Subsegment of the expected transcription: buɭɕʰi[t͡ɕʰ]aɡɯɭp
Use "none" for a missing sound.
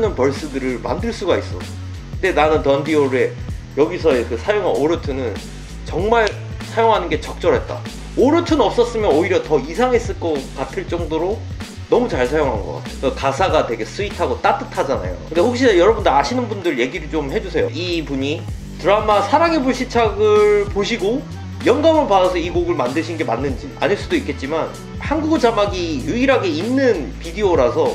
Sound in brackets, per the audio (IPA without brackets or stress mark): t͡ɕʰ